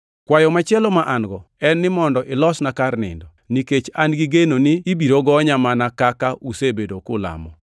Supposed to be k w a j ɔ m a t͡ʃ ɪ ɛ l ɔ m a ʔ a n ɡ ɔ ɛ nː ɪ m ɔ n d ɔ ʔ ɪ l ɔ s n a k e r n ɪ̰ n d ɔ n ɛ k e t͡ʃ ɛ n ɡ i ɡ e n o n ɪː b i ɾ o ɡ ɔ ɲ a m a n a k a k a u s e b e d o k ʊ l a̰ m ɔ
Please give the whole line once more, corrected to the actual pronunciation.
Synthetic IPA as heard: k w a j ɔ m a t͡ʃ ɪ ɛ l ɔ m a ʔ a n ɡ ɔ ɛ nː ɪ m ɔ n d ɔ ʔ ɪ l ɔ s n a k a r n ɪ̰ n d ɔ n i k e t͡ʃ a n ɡ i ɡ e n o n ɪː b i ɾ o ɡ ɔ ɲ a m a n a k a k a u s e b e d o k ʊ l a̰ m ɔ